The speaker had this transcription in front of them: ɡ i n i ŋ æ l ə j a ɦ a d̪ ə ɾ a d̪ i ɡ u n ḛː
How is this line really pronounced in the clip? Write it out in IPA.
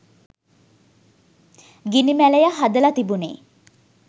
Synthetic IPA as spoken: ɡ i n i m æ l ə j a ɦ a d̪ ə l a t̪ i b u n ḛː